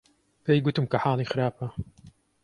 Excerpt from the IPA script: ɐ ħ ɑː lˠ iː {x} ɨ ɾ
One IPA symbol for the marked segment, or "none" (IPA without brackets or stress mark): x